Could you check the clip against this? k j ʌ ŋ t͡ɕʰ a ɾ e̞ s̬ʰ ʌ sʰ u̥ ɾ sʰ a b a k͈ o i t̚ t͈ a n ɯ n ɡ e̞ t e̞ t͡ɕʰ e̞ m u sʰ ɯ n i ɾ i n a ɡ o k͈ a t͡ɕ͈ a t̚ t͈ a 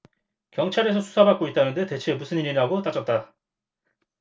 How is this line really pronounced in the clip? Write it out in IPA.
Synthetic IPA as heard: k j ʌ ŋ t͡ɕʰ a ɾ e̞ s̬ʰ ʌ sʰ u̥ sʰ a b a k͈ o i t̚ t͈ a n ɯ n d e̞ t e̞ t͡ɕʰ e̞ m u sʰ ɯ n i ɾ i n a ɡ o t͈ a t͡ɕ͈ ʌ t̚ t͈ a

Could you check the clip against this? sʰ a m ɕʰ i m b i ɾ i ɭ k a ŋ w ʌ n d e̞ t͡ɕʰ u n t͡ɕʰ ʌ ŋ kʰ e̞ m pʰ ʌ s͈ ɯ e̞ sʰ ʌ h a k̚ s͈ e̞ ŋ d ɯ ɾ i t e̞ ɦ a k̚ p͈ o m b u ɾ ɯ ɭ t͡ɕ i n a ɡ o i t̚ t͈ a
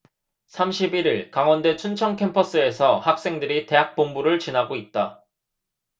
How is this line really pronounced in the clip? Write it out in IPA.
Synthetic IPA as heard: sʰ a m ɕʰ i b i ɾ i ɭ k a ŋ w ʌ n d e̞ t͡ɕʰ u n t͡ɕʰ ʌ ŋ kʰ e̞ m pʰ ʌ s͈ ɯ e̞ sʰ ʌ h a k̚ s͈ e̞ ŋ d ɯ ɾ i t e̞ ɦ a k̚ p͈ o m b u ɾ ɯ ɭ t͡ɕ i n a ɡ o i t̚ t͈ a

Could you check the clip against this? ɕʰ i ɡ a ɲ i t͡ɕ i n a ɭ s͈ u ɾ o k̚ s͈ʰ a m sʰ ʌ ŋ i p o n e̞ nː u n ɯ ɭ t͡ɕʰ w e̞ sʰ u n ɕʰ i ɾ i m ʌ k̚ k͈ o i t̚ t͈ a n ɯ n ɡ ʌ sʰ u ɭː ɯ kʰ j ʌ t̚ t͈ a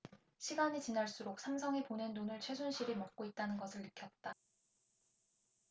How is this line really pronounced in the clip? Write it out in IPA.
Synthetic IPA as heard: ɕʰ i ɡ a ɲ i t͡ɕ i n a ɭ s͈ u ɾ o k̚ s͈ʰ a m sʰ ʌ ŋ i p o n e̞ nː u n ɯ ɭ t͡ɕʰ w e̞ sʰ u n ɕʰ i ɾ i m ʌ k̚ k͈ o i t̚ t͈ a n ɯ n ɡ ʌ sʰ ɯ ɭː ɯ kʰ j ʌ t̚ t͈ a

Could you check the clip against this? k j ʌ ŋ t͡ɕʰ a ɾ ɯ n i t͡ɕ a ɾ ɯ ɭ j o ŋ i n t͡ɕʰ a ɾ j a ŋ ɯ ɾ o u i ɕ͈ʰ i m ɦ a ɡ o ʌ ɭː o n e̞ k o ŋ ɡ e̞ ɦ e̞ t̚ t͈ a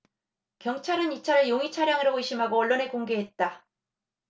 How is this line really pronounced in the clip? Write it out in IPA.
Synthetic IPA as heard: k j ʌ ŋ t͡ɕʰ a ɾ ɯ n i t͡ɕʰ a ɾ ɯ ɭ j o ŋ i t͡ɕʰ a ɾ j a ŋ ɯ ɾ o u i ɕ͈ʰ i m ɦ a ɡ o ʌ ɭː o n e̞ k o ŋ ɡ e̞ ɦ e̞ t̚ t͈ a

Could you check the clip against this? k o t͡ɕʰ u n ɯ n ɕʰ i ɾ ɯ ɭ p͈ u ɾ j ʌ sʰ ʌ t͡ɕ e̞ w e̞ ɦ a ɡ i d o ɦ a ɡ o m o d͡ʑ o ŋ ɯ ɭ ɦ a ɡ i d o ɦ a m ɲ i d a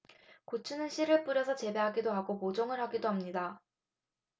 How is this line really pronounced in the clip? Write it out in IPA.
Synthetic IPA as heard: k o t͡ɕʰ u n ɯ n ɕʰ i ɾ ɯ ɭ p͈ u ɾ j ʌ sʰ ʌ t͡ɕ e̞ b e̞ ɦ a ɡ i d o ɦ a ɡ o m o d͡ʑ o ŋ ɯ ɭ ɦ a ɡ i d o ɦ a m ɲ i d a

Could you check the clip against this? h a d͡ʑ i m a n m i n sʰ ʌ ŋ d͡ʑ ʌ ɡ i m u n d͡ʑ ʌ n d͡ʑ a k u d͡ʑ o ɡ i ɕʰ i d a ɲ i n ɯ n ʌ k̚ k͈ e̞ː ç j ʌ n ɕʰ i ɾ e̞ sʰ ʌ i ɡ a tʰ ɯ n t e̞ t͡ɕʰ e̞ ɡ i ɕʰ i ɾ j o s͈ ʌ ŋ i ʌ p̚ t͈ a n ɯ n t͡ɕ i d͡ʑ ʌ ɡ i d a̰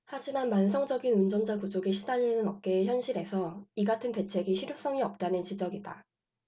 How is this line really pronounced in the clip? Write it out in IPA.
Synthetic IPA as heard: h a d͡ʑ i m a n m a n sʰ ʌ ŋ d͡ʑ ʌ ɡ i n u n d͡ʑ ʌ n d͡ʑ a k u d͡ʑ o ɡ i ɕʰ i d a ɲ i n ɯ n ʌ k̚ k͈ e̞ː ç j ʌ n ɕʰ i ɾ e̞ sʰ ʌ i ɡ a tʰ ɯ n t e̞ t͡ɕʰ e̞ ɡ i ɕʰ i ɾ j o s͈ ʌ ŋ i ʌ p̚ t͈ a n ɯ n t͡ɕ i d͡ʑ ʌ ɡ i d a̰

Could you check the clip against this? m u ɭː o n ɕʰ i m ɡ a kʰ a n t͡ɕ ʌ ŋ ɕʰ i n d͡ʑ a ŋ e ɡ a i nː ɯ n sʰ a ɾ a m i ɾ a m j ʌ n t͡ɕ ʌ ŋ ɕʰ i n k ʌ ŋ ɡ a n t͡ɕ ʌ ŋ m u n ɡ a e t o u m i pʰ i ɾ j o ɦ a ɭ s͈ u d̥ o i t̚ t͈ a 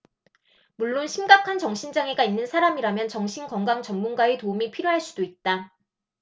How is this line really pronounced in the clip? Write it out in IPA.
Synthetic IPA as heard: m u ɭː o n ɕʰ i m ɡ a kʰ a n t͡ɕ ʌ ŋ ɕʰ i n d͡ʑ a ŋ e ɡ a i nː ɯ n sʰ a ɾ a m i ɾ a m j ʌ n t͡ɕ ʌ ŋ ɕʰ i n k ʌ ŋ ɡ a ŋ t͡ɕ ʌ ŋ m u n ɡ a e t o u m i pʰ i ɾ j o ɦ a ɭ s͈ u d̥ o i t̚ t͈ a

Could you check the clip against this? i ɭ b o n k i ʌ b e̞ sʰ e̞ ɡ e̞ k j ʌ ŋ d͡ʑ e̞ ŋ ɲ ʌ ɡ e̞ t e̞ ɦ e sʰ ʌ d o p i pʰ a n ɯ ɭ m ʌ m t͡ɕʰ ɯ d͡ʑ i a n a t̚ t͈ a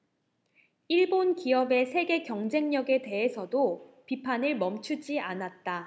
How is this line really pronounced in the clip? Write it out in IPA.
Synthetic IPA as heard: i ɭ b o n k i ʌ b e̞ sʰ e̞ ɡ e̞ k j ʌ ŋ d͡ʑ e̞ ŋ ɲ ʌ ɡ e̞ t e̞ ɦ e sʰ ʌ d o p i pʰ a n ɯ ɭ m ʌ m t͡ɕʰ u d͡ʑ i a n a t̚ t͈ a

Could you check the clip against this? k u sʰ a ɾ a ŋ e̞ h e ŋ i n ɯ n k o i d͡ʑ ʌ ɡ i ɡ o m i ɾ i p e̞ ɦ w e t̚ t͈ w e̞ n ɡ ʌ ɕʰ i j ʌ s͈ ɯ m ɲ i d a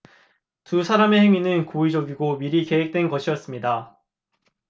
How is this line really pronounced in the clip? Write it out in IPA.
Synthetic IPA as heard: t u sʰ a ɾ a m e̞ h e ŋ i n ɯ n k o i d͡ʑ ʌ ɡ i ɡ o m i ɾ i k e̞ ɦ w e k̚ t͈ w e̞ n ɡ ʌ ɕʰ i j ʌ s͈ ɯ m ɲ i d a

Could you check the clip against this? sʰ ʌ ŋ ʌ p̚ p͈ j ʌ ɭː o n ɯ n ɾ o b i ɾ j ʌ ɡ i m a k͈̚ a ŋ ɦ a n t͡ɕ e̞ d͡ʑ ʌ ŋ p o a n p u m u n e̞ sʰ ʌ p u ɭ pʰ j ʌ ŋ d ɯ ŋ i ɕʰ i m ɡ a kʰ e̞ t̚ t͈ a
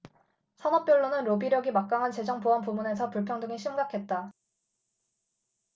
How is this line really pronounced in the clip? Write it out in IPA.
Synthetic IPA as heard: sʰ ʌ n ʌ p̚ p͈ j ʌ ɭː o n ɯ n ɾ o b i ɾ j ʌ ɡ i m a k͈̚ a ŋ ɦ a n t͡ɕ e̞ d͡ʑ ʌ ŋ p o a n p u m u n e̞ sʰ ʌ p u ɭ pʰ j ʌ ŋ d ɯ ŋ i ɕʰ i m ɡ a kʰ e̞ t̚ t͈ a

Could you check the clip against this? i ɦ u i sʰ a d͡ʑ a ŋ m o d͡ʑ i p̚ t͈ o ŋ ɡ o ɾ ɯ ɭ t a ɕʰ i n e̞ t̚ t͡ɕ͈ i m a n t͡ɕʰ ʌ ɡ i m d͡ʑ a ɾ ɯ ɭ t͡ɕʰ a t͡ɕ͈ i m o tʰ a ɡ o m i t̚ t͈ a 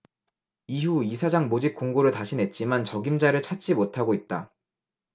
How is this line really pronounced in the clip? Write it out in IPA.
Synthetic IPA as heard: i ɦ u i sʰ a d͡ʑ a ŋ m o d͡ʑ i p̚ k͈ o ŋ ɡ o ɾ ɯ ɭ t a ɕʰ i n e̞ t̚ t͡ɕ͈ i m a n t͡ɕ ʌ ɡ i m d͡ʑ a ɾ ɯ ɭ t͡ɕʰ a t͡ɕ͈ i m o tʰ a ɡ o i t̚ t͈ a

